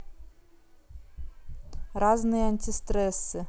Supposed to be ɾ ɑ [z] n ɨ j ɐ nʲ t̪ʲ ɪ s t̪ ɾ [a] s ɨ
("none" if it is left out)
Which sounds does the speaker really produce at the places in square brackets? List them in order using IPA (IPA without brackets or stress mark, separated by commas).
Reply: z, ɛ